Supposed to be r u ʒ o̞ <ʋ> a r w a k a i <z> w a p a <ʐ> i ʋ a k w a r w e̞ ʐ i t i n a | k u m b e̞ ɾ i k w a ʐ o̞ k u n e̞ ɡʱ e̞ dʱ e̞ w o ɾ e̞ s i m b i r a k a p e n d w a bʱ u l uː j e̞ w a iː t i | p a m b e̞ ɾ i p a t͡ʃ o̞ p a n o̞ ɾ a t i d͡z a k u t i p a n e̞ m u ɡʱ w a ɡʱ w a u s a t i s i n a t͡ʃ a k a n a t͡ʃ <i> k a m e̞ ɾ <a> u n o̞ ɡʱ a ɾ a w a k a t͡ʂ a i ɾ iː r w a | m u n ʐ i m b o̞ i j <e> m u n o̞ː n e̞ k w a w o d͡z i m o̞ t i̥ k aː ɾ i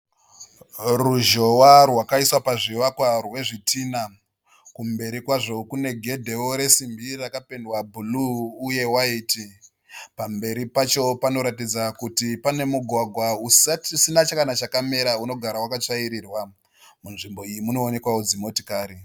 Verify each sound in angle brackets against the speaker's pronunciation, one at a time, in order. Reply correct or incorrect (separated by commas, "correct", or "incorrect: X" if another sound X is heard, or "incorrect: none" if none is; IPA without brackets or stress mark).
incorrect: w, incorrect: s, correct, incorrect: a, correct, incorrect: i